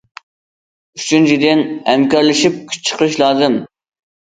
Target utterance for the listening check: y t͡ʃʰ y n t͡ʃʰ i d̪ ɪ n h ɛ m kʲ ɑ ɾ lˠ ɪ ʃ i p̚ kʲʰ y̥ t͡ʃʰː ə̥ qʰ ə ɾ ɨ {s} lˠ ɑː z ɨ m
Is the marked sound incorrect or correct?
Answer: incorrect: ʃ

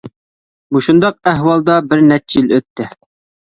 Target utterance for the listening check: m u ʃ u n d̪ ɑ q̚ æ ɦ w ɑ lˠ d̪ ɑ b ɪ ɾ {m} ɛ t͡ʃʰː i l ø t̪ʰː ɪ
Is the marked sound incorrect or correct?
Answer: incorrect: n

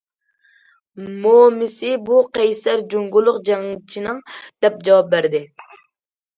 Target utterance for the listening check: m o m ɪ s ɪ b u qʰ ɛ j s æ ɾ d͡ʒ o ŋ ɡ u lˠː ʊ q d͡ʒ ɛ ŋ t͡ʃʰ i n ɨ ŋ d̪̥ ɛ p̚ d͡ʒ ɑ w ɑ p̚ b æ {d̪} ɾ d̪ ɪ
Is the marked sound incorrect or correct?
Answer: incorrect: none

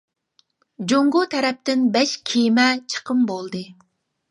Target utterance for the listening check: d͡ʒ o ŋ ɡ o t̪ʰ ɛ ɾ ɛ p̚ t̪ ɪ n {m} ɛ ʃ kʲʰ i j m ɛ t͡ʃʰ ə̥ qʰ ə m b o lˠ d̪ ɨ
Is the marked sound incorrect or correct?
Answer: incorrect: b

